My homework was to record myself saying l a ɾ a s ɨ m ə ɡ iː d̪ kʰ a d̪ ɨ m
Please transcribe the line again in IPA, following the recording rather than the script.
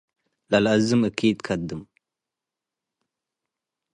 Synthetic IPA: l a l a z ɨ m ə k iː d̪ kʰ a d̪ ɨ m